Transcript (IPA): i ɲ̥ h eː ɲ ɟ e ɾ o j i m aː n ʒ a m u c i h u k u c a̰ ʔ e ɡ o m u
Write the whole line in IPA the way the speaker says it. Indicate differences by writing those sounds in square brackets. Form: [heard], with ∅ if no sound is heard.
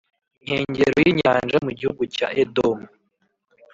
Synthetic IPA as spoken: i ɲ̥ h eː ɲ ɟ e ɾ o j i [ɲ] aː n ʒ a m u [ɟ] i h u [ɡ] u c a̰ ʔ e [d] o m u